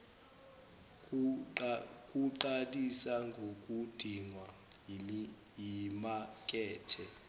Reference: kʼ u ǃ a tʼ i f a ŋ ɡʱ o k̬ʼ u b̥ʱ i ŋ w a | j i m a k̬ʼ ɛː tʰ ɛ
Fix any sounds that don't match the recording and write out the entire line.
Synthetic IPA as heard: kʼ u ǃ a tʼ i s a ŋ ɡʱ o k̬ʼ u d̥ʱ i ŋ w a | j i m a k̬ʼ ɛː tʰ ɛ